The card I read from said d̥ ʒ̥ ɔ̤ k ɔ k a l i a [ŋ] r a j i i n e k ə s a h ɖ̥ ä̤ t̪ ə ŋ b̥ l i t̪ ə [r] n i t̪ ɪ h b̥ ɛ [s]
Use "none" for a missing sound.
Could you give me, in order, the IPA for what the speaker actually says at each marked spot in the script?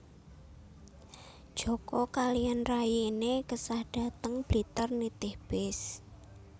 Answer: n, r, s

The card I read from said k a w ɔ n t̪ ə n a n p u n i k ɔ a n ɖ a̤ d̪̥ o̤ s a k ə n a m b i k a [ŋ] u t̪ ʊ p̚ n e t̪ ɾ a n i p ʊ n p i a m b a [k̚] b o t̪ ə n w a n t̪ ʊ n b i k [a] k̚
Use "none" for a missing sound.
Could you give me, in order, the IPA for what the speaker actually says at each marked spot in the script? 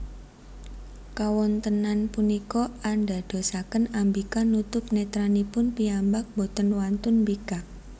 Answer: n, k̚, a

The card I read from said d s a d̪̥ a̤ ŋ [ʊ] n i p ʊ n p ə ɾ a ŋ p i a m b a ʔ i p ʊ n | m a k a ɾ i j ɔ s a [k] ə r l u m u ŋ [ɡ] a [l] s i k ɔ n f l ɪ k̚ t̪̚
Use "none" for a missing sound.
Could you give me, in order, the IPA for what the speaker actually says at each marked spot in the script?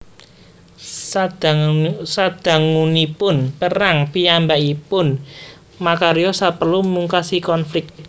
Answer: u, p, k, none

